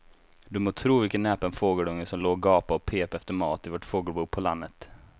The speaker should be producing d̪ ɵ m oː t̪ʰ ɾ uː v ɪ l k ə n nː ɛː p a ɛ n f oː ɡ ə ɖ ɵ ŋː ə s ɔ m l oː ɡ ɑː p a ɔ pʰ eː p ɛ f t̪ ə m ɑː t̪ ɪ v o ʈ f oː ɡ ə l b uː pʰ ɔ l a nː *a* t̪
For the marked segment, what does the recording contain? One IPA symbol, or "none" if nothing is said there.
ə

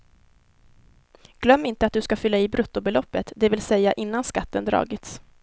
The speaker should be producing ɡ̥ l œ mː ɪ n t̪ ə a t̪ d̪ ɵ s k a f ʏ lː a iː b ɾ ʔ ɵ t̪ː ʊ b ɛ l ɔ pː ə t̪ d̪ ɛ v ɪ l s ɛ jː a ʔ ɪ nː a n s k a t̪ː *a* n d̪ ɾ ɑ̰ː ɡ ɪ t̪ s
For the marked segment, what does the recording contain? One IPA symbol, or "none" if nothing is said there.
ə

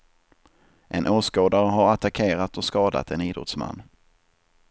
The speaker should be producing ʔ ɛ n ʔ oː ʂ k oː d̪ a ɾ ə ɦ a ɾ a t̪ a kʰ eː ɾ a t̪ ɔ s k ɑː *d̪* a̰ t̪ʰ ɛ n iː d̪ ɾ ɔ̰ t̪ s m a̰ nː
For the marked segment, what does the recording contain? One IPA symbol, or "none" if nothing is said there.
d̪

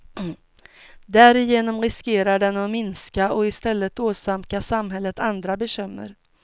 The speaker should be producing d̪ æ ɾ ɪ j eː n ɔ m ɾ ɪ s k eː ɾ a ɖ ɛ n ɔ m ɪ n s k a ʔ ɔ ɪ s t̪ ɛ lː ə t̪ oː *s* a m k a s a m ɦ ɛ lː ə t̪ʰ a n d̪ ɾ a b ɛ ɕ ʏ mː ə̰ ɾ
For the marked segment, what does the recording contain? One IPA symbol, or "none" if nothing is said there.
s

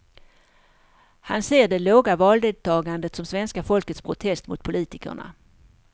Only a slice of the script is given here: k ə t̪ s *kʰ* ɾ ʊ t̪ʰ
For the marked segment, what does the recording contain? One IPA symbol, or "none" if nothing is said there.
pʰ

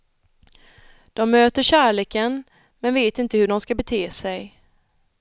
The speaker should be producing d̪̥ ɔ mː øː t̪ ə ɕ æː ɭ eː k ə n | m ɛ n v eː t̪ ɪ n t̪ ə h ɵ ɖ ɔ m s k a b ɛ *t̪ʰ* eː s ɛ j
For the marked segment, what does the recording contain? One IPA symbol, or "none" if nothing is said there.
t̪ʰ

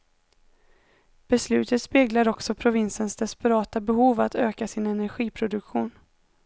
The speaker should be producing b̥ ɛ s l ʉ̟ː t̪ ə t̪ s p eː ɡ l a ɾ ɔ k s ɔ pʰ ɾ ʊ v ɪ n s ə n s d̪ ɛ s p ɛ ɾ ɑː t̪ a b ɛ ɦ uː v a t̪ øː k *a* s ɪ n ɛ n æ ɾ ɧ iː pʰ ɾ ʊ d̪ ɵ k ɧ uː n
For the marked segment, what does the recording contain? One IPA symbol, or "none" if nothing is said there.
a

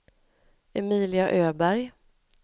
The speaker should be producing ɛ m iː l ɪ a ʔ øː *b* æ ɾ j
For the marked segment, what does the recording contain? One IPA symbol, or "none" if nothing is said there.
b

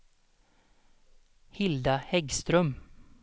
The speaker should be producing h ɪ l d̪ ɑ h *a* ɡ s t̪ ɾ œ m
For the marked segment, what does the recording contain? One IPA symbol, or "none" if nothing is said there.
ɛ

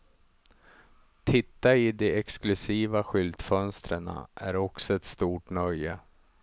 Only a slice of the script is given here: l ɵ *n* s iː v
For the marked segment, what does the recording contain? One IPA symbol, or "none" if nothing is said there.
none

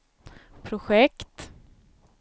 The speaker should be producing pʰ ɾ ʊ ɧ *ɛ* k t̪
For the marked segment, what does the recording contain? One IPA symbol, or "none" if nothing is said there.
ɛ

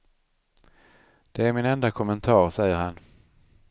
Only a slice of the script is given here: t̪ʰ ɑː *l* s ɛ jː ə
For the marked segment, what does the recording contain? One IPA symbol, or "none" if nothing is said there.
ɾ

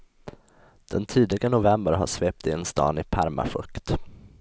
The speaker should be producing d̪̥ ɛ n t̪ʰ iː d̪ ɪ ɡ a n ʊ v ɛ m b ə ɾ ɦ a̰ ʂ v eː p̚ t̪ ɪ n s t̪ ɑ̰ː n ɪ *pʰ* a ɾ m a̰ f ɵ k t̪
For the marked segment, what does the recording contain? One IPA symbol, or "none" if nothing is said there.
pʰ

